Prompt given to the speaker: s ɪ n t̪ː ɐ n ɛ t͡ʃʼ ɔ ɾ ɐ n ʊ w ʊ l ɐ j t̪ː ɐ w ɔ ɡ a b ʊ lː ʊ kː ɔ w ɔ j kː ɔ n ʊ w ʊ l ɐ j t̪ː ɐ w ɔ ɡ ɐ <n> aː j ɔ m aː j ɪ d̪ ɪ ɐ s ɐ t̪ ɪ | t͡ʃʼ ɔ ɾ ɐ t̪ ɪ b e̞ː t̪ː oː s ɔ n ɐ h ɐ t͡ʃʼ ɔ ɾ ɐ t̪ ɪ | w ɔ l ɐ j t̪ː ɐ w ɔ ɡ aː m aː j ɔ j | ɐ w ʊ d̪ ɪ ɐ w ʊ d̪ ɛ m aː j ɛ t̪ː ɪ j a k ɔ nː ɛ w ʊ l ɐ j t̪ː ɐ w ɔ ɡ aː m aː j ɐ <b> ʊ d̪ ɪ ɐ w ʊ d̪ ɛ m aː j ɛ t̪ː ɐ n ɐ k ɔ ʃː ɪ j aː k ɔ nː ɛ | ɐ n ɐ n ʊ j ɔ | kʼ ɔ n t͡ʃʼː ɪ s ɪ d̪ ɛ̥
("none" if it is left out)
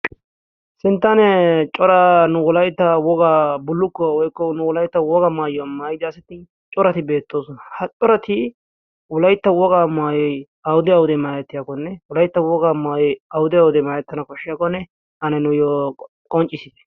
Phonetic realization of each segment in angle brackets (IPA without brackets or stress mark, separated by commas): m, w